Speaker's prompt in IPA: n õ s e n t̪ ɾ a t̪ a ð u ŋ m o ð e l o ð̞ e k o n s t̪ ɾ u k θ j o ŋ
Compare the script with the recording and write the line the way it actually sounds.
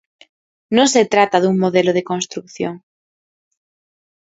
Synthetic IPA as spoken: n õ s e t̪ ɾ a t̪ a ð u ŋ m o ð e l o ð̞ e k o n s t̪ ɾ u k θ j o ŋ